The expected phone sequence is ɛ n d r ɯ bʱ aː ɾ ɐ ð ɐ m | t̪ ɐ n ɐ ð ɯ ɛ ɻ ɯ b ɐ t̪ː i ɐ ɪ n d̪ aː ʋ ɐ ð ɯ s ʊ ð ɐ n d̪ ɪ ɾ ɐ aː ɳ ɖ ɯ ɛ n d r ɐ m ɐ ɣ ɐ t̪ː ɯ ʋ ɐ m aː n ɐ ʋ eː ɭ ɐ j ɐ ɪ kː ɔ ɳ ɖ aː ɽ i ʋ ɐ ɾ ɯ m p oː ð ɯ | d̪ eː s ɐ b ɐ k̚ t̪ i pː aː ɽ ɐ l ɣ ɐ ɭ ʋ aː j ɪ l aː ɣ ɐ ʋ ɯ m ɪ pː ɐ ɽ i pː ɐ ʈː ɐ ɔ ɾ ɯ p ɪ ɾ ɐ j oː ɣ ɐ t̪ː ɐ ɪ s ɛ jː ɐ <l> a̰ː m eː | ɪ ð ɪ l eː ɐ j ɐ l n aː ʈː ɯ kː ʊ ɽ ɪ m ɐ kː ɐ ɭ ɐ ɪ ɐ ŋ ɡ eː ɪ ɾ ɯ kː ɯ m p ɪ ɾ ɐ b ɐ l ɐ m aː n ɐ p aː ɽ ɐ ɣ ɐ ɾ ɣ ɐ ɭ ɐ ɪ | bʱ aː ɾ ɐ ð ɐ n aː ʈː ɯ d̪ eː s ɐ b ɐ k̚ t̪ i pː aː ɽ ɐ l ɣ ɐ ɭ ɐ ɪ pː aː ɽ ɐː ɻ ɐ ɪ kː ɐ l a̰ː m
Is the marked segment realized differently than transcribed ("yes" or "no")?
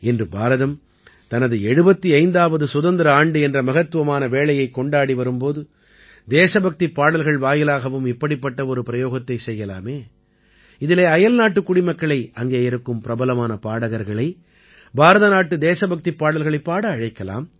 no